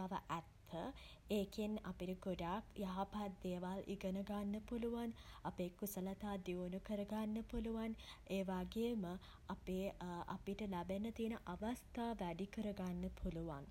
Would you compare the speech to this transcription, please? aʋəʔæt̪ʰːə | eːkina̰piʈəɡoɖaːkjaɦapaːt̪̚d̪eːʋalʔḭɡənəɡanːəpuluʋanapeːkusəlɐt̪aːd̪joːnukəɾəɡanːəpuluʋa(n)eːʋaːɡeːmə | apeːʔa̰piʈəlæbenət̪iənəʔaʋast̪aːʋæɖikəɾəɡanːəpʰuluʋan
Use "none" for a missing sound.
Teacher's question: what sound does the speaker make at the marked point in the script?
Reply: n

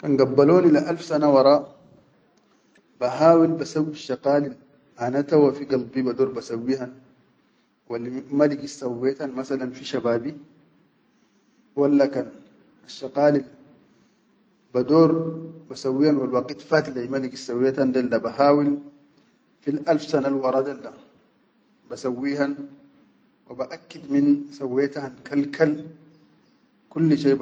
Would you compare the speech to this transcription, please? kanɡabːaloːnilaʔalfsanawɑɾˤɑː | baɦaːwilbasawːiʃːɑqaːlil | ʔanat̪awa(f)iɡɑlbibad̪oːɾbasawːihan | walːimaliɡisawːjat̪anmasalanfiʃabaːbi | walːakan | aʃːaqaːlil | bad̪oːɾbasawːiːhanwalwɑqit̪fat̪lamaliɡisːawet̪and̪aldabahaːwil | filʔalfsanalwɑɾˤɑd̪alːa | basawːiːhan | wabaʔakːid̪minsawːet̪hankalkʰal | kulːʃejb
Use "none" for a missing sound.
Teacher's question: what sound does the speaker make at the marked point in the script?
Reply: f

